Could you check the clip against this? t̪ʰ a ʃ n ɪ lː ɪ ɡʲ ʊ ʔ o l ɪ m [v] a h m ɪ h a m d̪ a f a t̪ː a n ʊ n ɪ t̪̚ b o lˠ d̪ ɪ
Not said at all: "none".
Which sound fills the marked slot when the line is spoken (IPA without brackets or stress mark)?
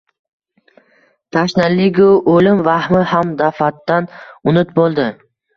v